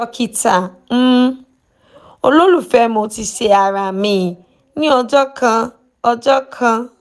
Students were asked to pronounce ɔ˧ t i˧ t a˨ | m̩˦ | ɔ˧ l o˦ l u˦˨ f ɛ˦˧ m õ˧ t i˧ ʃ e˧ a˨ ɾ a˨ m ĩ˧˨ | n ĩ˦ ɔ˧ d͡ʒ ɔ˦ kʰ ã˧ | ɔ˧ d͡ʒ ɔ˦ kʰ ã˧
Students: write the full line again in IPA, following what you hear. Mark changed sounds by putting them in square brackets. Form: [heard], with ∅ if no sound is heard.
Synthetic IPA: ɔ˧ [k] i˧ t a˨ | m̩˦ | [o˧] l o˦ l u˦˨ f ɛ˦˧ m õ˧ t i˧ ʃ e˧ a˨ ɾ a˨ m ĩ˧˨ | n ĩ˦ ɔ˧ d͡ʒ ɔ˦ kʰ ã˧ | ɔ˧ d͡ʒ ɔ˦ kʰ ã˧